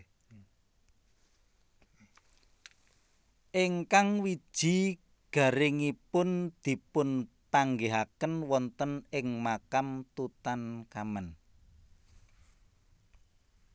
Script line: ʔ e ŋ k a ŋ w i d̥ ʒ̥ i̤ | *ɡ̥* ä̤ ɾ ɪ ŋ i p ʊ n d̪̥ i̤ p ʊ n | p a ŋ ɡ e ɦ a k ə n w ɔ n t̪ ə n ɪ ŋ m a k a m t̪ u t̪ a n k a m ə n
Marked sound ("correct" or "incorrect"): correct